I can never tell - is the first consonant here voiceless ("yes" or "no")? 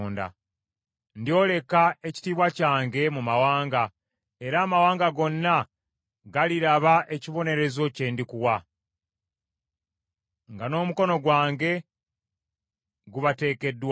no